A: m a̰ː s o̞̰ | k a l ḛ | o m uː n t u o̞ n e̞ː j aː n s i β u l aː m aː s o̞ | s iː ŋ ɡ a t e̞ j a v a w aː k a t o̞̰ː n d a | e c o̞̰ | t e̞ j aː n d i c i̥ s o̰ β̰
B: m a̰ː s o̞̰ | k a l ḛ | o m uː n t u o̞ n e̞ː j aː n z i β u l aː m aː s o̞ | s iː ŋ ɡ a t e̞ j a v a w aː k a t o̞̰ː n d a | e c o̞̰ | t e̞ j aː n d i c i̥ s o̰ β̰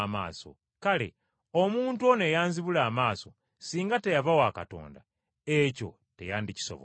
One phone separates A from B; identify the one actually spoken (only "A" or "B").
B